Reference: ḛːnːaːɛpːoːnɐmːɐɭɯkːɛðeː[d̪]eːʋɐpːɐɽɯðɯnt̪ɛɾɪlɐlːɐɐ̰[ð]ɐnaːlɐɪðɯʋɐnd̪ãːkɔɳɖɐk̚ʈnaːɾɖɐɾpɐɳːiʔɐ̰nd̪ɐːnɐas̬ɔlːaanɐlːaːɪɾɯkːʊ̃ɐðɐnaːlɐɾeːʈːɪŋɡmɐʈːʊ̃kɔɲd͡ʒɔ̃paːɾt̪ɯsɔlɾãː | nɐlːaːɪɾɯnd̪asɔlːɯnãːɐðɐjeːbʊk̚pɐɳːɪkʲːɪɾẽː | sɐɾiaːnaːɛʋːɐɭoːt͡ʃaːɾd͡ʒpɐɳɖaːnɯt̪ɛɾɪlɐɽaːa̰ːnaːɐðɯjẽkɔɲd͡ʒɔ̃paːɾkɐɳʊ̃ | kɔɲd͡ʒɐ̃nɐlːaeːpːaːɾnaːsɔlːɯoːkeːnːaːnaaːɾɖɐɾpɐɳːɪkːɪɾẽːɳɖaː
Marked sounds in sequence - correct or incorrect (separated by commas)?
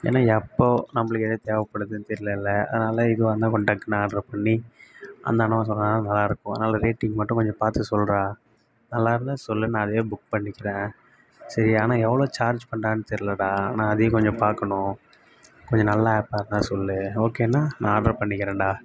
incorrect, correct